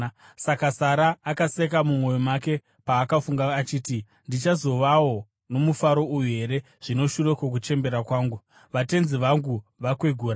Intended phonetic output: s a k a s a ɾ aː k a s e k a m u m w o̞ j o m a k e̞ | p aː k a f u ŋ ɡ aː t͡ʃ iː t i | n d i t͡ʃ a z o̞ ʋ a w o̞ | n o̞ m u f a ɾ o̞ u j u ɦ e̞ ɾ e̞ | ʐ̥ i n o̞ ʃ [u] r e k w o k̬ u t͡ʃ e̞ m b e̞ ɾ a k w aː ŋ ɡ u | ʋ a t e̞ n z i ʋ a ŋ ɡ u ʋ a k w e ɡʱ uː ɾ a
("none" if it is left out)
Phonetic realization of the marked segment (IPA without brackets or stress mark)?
u